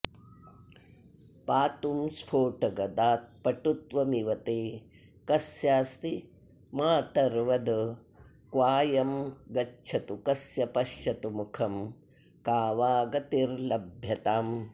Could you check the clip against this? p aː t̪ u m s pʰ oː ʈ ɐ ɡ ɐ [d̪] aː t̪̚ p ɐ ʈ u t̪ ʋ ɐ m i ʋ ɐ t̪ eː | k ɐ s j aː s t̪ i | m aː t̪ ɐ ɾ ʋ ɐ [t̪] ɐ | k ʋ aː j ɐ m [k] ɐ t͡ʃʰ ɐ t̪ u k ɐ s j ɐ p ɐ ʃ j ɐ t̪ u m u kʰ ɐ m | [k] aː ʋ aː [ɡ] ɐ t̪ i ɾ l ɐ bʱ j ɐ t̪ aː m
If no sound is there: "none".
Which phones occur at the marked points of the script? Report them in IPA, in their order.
d̪, d̪, ɡ, k, ɡ

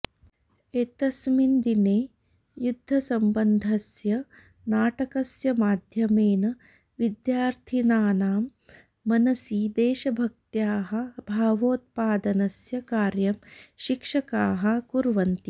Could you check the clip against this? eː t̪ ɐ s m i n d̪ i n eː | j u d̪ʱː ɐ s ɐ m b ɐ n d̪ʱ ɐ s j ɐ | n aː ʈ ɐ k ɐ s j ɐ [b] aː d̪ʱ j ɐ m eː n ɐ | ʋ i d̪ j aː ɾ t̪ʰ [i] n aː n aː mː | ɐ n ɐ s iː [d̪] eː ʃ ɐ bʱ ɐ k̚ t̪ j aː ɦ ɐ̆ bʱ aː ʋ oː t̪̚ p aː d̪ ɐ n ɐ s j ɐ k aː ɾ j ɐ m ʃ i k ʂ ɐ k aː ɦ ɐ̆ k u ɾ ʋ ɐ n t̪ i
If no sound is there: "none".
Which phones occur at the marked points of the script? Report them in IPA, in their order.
m, i, d̪

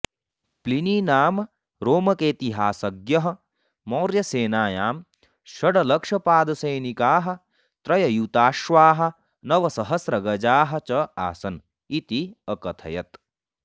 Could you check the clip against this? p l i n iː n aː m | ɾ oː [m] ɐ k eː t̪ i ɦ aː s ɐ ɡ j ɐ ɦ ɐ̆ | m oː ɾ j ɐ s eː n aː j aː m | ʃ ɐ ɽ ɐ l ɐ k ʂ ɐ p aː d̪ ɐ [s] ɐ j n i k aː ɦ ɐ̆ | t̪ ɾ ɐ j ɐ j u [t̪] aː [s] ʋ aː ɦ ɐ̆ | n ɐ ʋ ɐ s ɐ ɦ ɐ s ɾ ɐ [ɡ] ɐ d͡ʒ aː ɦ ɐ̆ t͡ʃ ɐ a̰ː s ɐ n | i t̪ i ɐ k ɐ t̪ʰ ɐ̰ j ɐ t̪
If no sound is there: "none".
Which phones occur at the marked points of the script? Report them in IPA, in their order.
m, s, t̪, ʃ, ɡ

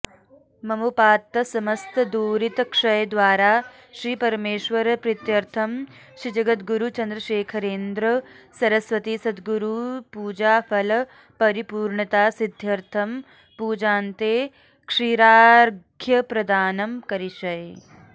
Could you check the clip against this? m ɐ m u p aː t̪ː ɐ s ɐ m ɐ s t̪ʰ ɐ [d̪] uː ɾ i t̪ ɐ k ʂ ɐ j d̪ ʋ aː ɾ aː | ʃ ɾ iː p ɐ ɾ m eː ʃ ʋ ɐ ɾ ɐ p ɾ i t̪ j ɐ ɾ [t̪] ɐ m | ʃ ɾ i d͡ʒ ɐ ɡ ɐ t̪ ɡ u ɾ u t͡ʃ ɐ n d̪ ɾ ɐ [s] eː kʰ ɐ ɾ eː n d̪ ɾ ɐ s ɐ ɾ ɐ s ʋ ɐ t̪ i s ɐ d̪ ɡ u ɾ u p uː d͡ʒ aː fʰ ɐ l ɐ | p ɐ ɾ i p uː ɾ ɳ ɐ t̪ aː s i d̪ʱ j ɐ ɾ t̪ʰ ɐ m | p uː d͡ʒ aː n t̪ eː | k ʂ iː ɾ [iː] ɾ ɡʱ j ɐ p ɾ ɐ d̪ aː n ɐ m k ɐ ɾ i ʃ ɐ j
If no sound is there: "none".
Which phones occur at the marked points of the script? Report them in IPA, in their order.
d̪, t̪ʰ, ʃ, aː

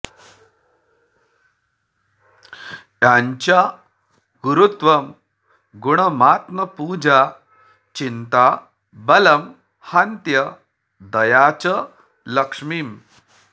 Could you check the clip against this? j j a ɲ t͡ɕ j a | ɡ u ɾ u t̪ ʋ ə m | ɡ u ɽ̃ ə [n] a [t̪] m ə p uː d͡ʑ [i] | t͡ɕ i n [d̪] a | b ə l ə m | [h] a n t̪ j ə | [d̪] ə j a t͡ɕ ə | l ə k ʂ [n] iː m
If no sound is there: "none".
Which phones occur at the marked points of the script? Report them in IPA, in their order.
m, t̪, a, t̪, h, d̪, m

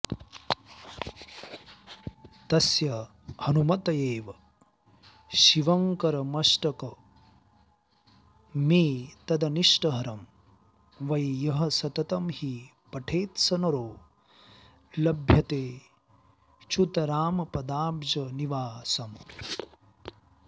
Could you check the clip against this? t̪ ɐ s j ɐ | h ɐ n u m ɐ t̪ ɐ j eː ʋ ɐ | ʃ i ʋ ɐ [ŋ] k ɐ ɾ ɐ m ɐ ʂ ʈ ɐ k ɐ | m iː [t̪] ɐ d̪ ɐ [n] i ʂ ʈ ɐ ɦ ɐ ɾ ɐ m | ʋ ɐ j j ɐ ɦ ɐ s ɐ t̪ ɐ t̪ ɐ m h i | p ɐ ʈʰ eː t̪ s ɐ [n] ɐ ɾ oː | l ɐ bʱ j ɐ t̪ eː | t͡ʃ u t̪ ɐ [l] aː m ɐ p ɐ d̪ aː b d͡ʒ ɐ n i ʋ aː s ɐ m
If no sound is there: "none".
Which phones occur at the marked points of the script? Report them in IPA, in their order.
ŋ, t̪, n, n, ɾ

